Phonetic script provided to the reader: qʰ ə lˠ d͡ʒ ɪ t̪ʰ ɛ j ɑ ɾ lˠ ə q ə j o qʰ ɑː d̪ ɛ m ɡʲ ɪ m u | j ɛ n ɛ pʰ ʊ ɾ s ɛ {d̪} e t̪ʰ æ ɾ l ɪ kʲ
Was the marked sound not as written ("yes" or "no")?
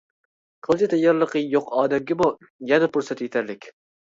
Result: yes